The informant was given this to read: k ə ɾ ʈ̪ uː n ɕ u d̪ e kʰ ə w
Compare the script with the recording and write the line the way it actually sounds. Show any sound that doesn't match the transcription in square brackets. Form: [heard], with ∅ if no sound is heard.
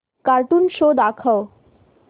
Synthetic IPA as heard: k [a] ɾ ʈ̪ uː n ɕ [o] d̪ [a] kʰ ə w